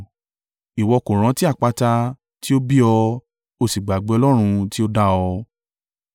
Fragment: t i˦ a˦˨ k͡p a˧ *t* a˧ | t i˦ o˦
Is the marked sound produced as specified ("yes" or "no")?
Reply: yes